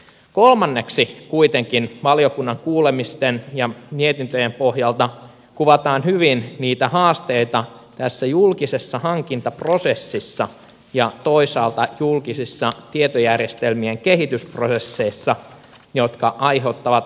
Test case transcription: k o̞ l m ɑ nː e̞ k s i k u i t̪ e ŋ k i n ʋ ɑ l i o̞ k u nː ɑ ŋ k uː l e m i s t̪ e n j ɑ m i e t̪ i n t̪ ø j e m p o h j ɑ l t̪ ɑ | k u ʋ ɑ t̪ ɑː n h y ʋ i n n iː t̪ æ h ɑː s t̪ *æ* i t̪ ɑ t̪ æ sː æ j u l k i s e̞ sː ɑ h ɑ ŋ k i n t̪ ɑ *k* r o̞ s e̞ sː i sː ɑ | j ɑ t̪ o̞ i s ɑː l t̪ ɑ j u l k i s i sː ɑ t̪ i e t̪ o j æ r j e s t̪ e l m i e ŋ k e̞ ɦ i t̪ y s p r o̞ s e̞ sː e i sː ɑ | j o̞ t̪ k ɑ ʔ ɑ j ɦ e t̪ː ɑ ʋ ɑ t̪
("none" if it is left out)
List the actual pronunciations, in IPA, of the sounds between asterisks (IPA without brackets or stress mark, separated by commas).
e, p